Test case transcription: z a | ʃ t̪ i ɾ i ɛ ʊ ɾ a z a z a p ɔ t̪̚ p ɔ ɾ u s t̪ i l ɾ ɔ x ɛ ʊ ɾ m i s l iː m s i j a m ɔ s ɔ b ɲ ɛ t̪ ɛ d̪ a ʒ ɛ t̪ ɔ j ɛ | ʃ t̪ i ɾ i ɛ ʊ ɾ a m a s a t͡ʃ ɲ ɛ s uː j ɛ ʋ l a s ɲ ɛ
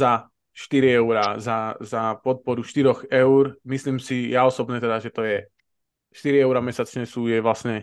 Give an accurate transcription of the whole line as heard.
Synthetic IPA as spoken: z a | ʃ t̪ i ɾ i ɛ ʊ ɾ a z a z a p ɔ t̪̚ p ɔ ɾ u ʃ t̪ i ɾ ɔ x ɛ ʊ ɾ m i s l iː m s i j a ɔ s ɔ b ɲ ɛ t̪ ɛ d̪ a ʒ ɛ t̪ ɔ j ɛ | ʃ t̪ i ɾ i ɛ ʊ ɾ a m ɛ s a t͡ʃ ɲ ɛ s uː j ɛ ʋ l a s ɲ ɛ